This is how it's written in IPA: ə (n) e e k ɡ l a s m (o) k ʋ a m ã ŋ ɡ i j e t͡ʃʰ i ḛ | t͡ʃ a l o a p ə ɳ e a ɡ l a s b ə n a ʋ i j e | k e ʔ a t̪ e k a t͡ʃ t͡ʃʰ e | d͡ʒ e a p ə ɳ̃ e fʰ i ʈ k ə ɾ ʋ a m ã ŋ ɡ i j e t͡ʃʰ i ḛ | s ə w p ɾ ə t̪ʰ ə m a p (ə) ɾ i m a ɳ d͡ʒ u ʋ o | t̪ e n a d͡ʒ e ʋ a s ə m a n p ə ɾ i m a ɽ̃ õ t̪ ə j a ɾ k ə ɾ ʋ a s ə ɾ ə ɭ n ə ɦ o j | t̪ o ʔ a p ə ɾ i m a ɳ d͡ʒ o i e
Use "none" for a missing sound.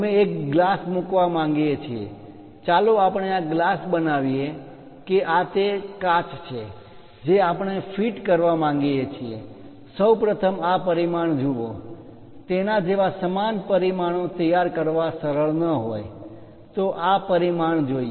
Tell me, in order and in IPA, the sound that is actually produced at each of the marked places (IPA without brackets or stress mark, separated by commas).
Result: m, u, ə